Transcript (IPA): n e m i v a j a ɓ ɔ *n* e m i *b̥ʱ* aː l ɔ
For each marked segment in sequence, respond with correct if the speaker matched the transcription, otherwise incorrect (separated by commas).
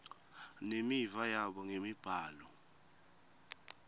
incorrect, correct